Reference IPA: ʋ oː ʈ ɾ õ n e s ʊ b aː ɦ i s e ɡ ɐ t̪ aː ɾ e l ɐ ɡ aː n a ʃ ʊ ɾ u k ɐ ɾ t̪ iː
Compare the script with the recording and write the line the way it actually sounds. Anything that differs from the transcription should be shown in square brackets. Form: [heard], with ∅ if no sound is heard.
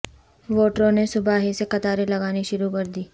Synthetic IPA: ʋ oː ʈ ɾ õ n e s ʊ b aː ɦ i s e [k] ɐ t̪ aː ɾ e l ɐ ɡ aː n [i] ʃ ʊ ɾ u k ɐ ɾ [d̪] iː